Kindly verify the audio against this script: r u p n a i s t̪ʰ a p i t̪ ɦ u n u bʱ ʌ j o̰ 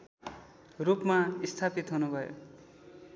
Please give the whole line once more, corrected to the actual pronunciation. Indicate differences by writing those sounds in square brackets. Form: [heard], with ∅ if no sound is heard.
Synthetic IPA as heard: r u p [m] a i s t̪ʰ a p i t̪ ɦ u n u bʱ ʌ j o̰